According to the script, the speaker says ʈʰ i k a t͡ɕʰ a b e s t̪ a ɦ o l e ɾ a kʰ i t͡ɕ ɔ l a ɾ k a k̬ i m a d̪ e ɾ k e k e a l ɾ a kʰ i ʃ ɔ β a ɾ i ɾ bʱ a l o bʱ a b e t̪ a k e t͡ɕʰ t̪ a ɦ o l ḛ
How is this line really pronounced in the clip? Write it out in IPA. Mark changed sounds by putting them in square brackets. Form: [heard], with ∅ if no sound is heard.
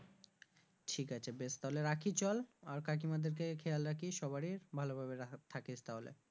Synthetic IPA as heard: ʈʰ i k a t͡ɕʰ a b e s t̪ a ɦ o l e ɾ a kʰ i t͡ɕ ɔ l a ɾ k a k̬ i m a d̪ e ɾ k e [kʰ] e a l ɾ a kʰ i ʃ ɔ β a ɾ i ɾ bʱ a l o bʱ a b e [t̪ʰ] a k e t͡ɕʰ t̪ a ɦ o l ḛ